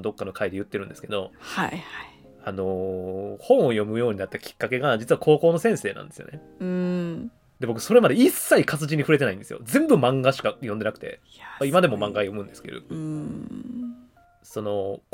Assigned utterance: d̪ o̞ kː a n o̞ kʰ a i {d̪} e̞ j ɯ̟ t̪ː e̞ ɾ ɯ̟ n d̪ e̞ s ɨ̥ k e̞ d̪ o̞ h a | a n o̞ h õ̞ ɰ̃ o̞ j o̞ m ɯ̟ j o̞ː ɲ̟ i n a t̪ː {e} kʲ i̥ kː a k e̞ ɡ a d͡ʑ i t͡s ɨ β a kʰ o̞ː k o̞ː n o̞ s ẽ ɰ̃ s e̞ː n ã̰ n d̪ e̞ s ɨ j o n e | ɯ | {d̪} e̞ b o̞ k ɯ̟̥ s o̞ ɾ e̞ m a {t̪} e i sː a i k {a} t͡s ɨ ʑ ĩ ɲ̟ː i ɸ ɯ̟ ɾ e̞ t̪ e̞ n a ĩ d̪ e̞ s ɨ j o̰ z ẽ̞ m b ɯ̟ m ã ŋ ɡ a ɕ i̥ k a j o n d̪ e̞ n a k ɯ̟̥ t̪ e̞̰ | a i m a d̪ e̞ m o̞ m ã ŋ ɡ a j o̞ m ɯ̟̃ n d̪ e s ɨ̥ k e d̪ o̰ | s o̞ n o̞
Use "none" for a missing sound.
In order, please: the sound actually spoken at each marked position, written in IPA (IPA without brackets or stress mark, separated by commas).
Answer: d̪, a, d̪, d̪, a